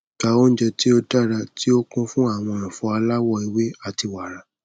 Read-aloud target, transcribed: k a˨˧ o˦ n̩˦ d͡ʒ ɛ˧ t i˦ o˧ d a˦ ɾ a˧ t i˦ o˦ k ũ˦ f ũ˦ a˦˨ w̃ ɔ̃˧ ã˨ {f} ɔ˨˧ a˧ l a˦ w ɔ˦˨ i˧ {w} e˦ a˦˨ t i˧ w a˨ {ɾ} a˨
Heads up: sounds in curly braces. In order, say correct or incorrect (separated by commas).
correct, correct, correct